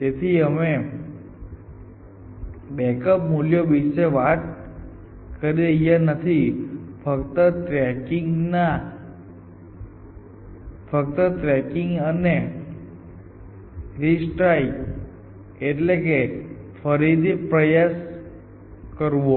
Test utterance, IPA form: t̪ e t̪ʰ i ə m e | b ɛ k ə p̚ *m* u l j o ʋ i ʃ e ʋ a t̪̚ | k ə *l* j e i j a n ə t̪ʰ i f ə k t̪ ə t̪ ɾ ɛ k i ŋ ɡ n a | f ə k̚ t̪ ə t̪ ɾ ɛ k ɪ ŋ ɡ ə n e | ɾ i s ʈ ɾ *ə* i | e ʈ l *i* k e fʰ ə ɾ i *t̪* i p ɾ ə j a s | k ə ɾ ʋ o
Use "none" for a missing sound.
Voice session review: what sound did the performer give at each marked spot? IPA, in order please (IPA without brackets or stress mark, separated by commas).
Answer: m, ɾ, a, e, d̪